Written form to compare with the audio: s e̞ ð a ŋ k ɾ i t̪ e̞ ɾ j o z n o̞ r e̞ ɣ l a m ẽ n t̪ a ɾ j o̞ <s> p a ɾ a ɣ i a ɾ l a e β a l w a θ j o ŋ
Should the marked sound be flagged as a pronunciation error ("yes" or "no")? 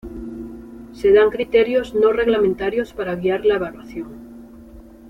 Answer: no